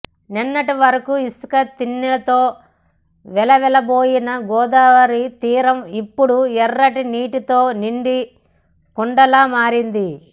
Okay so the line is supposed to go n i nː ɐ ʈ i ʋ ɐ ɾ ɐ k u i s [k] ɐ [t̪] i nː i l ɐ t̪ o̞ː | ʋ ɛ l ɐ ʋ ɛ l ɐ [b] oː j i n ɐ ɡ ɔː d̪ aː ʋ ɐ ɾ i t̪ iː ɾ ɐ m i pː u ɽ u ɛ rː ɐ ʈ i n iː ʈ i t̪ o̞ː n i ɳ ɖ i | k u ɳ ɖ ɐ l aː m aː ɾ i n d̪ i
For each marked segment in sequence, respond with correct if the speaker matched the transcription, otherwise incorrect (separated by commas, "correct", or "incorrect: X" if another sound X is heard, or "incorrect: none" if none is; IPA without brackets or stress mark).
correct, correct, correct